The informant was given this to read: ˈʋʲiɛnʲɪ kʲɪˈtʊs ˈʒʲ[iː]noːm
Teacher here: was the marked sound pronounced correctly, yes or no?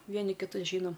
yes